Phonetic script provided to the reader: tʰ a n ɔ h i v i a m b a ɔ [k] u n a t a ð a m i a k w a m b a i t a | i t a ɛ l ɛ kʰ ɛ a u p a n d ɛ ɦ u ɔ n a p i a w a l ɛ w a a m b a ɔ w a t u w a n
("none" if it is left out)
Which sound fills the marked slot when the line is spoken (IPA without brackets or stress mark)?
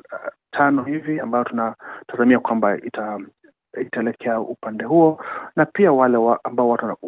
t